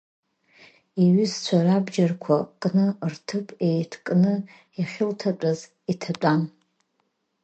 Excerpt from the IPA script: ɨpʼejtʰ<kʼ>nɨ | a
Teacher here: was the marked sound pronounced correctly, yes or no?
yes